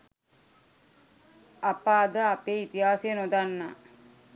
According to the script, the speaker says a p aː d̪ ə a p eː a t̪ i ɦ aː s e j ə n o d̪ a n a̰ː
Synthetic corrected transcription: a p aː d̪ ə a p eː i t̪ i ɦ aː s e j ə n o d̪ a nː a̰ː